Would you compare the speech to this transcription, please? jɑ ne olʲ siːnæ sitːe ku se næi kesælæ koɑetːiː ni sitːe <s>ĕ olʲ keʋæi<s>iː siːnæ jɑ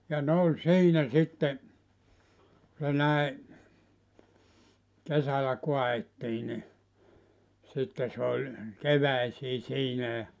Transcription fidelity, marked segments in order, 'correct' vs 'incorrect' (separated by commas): correct, correct